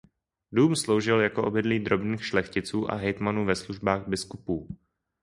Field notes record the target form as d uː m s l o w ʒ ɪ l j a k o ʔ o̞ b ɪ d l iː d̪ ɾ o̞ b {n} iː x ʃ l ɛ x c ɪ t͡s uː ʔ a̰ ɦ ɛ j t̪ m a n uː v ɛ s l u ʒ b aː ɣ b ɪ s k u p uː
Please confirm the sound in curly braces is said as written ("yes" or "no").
yes